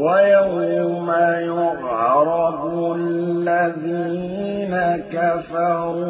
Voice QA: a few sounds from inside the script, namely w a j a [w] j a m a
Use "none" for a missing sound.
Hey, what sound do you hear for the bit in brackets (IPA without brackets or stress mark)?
w